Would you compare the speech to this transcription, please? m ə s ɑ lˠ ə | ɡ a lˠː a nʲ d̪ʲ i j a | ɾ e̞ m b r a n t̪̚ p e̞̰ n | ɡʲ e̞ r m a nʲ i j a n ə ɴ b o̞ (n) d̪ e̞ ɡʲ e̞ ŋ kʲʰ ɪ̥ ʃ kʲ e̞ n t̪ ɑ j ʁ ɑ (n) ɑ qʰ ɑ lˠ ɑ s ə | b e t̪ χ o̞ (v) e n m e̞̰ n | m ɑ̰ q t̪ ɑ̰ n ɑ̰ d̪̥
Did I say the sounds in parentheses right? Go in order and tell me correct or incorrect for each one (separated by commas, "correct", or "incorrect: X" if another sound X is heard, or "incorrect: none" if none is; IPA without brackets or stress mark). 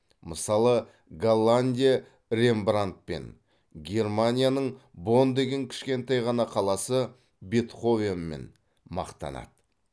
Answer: correct, correct, correct